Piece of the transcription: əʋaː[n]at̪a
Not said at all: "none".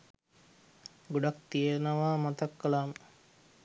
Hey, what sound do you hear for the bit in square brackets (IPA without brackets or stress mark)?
m